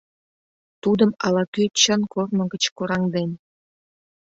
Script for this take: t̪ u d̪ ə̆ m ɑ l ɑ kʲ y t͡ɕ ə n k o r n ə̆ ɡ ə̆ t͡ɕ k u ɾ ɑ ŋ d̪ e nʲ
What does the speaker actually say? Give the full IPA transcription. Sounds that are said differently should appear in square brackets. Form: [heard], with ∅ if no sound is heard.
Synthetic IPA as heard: t̪ u d̪ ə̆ m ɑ l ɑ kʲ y t͡ɕ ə n k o r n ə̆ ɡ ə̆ t͡ɕ k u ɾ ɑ ŋ d̪ e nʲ

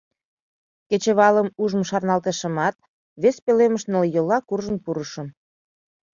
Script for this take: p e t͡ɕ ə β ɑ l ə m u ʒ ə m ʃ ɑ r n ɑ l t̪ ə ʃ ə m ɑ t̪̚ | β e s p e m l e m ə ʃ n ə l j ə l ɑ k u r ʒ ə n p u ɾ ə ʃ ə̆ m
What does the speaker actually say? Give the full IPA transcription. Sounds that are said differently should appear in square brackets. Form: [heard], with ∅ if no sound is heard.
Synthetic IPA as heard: [k] e t͡ɕ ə β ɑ l ə m u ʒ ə m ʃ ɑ r n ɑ l t̪ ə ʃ ə m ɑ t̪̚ | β e s p e [∅] l e m ə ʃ n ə l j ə l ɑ k u r ʒ ə n p u ɾ ə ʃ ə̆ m

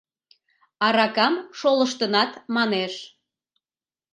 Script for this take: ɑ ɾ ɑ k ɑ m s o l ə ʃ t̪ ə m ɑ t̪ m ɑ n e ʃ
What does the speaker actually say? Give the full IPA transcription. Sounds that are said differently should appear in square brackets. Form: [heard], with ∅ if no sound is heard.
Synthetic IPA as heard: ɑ ɾ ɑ k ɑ m [ʃ] o l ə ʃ t̪ ə [n] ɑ t̪ m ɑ n e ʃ

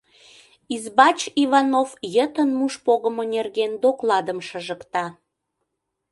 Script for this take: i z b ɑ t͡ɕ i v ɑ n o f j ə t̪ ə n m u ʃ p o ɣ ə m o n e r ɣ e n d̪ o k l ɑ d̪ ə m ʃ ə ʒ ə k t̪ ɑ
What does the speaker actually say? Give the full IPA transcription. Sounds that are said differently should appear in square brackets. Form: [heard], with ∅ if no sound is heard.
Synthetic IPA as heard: i z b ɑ t͡ɕ i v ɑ n o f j ə t̪ ə n m u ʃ p o ɣ ə m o n e r ɣ e n d̪ o k l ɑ d̪ ə m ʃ ə ʒ ə k t̪ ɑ

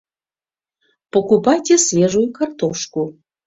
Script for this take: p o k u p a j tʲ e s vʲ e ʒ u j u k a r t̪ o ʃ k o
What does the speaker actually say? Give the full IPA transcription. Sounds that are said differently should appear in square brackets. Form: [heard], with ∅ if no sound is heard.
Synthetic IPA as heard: p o k u p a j tʲ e s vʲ e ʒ u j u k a r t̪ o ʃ k [u]

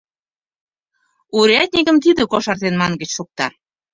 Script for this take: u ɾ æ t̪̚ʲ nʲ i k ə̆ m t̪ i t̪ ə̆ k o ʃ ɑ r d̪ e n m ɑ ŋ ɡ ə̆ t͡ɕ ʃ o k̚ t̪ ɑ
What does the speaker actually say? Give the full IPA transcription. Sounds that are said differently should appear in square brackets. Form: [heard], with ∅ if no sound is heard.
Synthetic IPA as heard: u ɾ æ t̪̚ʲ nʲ i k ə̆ m t̪ i [d̪] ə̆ k o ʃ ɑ r [t̪] e n m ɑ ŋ ɡ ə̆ t͡ɕ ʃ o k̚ t̪ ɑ

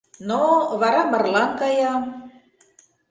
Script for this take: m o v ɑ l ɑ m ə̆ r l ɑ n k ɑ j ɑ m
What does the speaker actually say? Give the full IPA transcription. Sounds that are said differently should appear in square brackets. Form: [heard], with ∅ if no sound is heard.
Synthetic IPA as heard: [n] o [β] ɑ [ɾ] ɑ m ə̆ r l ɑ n k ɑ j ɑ m

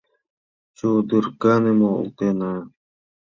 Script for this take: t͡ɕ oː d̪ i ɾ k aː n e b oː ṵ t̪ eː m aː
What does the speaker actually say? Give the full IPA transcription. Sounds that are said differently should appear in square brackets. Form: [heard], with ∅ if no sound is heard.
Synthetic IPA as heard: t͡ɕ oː d̪ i ɾ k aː n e [m] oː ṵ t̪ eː [n] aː

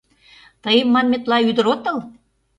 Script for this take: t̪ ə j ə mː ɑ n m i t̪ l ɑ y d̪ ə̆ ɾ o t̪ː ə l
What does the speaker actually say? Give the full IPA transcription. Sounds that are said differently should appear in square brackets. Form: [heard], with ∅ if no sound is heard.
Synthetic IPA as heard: t̪ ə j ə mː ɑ n m [e] t̪ l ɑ y d̪ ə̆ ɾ o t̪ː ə l

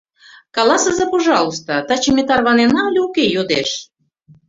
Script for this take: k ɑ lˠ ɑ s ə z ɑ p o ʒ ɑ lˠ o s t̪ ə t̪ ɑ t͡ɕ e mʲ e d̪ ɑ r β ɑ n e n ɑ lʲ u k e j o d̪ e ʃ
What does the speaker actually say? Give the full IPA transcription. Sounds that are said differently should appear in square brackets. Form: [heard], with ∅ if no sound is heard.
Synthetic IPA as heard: k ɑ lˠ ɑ s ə z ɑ p o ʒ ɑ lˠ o s t̪ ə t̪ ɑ t͡ɕ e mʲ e [t̪] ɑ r β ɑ n e n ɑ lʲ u k e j o d̪ e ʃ

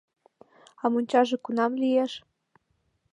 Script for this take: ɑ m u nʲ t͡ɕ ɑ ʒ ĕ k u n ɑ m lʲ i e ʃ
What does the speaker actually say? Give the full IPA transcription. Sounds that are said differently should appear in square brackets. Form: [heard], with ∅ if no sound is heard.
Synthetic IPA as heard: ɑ m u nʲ t͡ɕ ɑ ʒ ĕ k u n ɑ m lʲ i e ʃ

